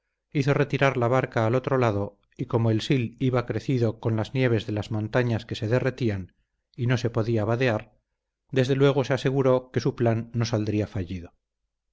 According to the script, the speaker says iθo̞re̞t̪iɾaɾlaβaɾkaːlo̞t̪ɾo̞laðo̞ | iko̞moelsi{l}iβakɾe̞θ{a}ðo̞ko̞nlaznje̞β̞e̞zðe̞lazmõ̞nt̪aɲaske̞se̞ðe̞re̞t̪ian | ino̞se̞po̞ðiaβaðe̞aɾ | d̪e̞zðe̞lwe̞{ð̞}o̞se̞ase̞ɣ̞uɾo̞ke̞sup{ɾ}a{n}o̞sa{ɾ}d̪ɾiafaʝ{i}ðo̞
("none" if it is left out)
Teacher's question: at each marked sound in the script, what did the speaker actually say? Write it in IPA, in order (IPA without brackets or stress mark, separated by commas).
l, i, ɣ̞, l, nː, l, i